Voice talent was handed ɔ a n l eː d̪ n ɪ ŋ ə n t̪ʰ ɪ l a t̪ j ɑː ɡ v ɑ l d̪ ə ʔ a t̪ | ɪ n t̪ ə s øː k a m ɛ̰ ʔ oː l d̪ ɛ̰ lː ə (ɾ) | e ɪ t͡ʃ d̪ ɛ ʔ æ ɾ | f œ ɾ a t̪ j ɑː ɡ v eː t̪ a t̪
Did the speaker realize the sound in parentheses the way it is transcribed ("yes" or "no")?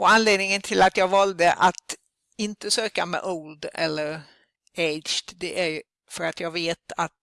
yes